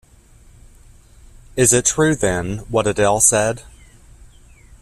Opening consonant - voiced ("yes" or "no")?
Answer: yes